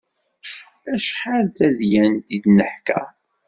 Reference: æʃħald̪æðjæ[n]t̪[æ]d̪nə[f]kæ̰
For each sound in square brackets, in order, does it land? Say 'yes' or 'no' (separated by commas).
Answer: yes, no, no